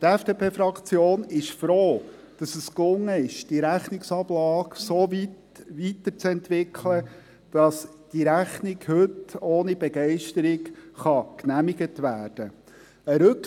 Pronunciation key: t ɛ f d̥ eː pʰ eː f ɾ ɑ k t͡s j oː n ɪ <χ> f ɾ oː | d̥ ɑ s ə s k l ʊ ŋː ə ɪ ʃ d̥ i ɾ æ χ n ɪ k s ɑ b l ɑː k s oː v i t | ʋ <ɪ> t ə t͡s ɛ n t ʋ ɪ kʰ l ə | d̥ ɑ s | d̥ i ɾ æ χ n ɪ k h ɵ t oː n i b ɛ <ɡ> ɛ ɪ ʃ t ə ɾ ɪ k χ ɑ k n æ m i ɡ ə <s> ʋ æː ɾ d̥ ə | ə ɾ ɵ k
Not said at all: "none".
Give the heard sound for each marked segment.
ʃ, i, ɡ, t

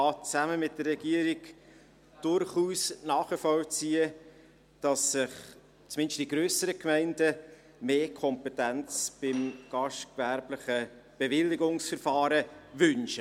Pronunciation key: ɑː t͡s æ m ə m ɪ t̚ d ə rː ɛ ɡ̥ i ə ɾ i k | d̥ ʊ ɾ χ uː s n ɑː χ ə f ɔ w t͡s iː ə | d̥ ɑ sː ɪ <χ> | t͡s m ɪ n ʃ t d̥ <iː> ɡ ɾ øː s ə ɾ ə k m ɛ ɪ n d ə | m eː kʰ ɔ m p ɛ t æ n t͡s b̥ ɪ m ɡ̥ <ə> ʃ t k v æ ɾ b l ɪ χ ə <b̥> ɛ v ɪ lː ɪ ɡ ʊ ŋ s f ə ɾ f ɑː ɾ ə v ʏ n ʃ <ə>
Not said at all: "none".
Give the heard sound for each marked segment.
χ, i, ɑ, b̥, ə

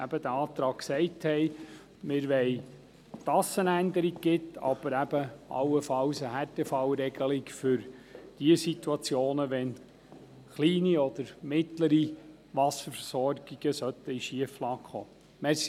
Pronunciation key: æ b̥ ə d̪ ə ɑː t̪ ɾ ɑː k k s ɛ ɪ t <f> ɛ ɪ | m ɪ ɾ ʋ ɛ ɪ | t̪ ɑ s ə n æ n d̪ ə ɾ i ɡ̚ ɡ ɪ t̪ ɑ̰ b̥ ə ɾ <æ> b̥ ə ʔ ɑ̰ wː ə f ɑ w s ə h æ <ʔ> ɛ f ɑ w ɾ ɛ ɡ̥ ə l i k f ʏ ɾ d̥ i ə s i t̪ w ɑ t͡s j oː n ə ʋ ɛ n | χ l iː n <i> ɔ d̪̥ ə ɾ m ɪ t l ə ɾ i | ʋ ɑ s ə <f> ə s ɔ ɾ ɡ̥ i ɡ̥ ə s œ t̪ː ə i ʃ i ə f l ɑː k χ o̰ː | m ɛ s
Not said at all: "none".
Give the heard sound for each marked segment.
h, æ, t, i, f

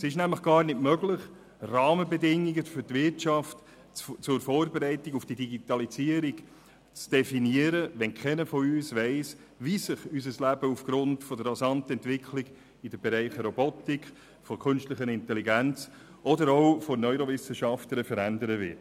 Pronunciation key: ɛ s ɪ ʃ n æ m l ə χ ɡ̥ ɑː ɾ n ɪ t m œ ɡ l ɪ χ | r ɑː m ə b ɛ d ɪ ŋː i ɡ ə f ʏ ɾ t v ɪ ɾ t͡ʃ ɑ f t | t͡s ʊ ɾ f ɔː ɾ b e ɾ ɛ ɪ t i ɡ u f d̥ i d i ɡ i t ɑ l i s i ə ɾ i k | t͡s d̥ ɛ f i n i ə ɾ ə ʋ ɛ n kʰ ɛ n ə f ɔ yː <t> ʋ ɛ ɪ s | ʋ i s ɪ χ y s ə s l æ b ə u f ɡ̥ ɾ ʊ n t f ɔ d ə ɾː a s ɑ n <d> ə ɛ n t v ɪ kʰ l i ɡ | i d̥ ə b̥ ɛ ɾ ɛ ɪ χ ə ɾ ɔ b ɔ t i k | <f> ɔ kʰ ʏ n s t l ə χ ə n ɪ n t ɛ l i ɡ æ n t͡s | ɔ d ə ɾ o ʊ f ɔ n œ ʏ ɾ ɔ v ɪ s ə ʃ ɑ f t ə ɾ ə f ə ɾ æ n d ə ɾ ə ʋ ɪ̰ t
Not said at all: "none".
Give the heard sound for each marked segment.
s, t, f

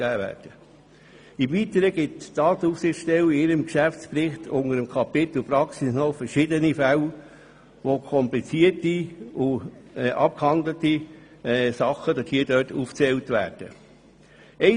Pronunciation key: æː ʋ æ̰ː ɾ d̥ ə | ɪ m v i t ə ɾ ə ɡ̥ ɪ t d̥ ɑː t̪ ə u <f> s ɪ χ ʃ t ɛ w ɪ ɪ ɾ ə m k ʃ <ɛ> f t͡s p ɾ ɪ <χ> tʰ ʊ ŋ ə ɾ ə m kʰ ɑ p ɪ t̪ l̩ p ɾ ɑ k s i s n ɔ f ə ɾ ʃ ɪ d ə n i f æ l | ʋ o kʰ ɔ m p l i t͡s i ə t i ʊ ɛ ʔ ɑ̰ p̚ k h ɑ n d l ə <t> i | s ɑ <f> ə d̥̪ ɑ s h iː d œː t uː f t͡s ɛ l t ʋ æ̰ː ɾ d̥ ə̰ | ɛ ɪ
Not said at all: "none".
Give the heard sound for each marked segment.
f, æ, χ, t, χ

